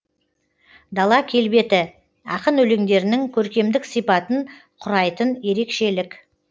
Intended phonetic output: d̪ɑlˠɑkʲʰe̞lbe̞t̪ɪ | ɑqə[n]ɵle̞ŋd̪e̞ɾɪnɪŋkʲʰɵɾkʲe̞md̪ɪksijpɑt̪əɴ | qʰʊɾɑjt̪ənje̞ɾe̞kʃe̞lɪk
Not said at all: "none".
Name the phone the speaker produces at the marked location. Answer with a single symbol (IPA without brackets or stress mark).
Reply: n